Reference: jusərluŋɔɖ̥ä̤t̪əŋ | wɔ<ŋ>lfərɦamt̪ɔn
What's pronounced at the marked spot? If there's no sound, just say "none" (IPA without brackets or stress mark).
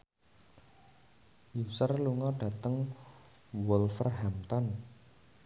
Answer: none